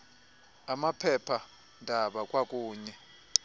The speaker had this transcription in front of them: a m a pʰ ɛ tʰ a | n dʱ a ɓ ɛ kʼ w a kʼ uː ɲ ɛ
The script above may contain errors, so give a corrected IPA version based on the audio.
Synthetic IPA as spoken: a m a pʰ ɛ pʰ a | n dʱ a ɓ a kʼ w a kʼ uː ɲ ɛ